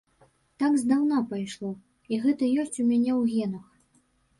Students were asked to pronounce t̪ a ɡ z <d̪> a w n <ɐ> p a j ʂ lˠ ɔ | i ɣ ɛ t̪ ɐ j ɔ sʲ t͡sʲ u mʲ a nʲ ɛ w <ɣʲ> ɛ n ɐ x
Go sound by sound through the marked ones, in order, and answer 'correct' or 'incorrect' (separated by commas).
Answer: correct, incorrect, correct